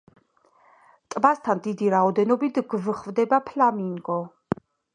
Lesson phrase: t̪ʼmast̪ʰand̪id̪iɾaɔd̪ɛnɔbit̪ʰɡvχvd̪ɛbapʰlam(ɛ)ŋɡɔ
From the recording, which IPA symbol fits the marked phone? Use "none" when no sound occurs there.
i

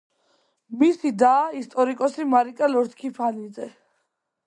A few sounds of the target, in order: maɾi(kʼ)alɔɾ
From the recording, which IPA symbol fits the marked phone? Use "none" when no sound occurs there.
kʼ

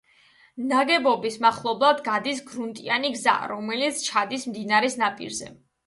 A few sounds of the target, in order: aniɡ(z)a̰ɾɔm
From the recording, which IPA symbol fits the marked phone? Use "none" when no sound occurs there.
z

